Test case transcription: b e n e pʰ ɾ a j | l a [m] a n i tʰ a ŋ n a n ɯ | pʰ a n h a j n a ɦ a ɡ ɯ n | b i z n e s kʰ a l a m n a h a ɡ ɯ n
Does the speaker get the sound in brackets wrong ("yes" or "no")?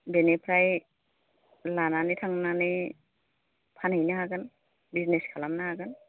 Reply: yes